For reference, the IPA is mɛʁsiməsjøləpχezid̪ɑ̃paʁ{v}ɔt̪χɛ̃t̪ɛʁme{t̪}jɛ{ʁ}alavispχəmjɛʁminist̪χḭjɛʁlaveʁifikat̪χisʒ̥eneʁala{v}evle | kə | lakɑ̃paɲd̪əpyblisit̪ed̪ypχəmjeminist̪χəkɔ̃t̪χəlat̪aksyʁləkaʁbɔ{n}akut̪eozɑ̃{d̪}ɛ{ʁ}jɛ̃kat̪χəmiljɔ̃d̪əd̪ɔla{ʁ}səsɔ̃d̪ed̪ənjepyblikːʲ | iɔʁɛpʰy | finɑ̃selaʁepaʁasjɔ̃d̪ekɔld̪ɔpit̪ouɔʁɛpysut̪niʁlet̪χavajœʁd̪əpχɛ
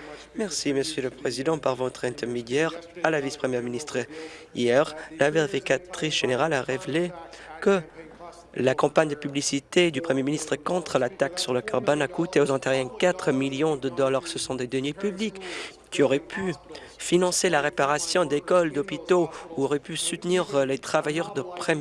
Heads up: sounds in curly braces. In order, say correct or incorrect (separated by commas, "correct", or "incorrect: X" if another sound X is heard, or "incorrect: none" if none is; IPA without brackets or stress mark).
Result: correct, incorrect: d̪, correct, incorrect: ʁ, correct, incorrect: t̪, correct, correct